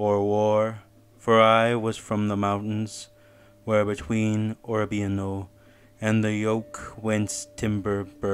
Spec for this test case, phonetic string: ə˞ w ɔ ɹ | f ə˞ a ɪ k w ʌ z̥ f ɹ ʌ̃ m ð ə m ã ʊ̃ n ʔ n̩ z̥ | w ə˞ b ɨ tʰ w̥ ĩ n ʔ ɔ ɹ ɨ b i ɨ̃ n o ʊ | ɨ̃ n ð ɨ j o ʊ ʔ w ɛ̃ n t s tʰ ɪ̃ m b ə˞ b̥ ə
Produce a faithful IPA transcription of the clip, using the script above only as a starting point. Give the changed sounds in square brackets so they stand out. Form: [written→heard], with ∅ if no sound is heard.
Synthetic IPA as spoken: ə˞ w ɔ ɹ | f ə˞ a ɪ [k→∅] w ʌ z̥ f ɹ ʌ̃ m ð ə m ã ʊ̃ n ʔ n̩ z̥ | w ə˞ b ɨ tʰ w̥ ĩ n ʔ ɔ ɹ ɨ b i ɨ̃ n o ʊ | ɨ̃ n ð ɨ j o ʊ [ʔ→k] w ɛ̃ n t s tʰ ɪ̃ m b ə˞ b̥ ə

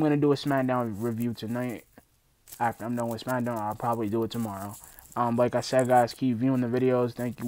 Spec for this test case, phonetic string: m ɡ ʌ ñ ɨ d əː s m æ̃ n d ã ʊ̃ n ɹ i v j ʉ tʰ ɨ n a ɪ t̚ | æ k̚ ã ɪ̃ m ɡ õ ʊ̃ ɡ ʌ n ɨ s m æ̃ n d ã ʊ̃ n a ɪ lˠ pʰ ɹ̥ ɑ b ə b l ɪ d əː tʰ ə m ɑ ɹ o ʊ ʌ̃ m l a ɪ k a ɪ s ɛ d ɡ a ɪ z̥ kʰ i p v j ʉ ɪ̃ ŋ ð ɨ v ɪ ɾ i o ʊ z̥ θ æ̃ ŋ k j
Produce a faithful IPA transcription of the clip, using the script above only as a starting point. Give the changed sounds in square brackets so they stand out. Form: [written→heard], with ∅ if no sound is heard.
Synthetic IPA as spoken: m ɡ ʌ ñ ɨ d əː s m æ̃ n d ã ʊ̃ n ɹ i v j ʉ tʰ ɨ n a ɪ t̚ | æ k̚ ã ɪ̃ m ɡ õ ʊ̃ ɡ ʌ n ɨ s m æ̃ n d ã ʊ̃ n a ɪ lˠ pʰ ɹ̥ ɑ b ə b l [ɪ→i] d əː tʰ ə m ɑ ɹ o ʊ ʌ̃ m l a ɪ k a ɪ s ɛ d ɡ a ɪ z̥ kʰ i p v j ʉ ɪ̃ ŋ ð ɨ v ɪ ɾ i o ʊ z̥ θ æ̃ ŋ k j

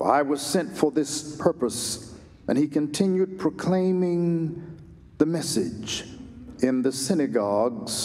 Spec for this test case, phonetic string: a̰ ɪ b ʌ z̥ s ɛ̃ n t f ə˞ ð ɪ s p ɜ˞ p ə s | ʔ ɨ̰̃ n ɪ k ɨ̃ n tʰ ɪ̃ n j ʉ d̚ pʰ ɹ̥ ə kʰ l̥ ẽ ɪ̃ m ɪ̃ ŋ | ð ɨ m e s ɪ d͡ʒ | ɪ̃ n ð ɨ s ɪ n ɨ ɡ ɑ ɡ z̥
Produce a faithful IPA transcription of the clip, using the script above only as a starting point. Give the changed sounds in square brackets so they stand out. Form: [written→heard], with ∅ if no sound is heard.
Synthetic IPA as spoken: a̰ ɪ [b→w] ʌ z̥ s ɛ̃ n t f ə˞ ð ɪ s [p→pʰ] ɜ˞ p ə s | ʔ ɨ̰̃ n [ɪ→i] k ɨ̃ n tʰ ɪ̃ n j ʉ d̚ pʰ ɹ̥ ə kʰ l̥ ẽ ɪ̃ m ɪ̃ ŋ | ð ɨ m [e→ɛ] s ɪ d͡ʒ | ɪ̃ n ð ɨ s ɪ n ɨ ɡ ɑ ɡ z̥

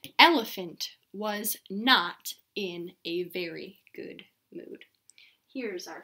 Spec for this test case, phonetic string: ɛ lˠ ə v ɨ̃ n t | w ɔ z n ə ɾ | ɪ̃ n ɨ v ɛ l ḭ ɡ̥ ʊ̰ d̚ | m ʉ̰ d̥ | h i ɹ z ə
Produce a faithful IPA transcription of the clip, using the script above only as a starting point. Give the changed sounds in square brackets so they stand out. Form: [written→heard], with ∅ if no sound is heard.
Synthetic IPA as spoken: ɛ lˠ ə [v→f] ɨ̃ n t | w [ɔ→ʌ] z n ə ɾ | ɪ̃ n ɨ v ɛ [l→ɹ] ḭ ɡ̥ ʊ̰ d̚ | m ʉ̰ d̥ | h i ɹ z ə

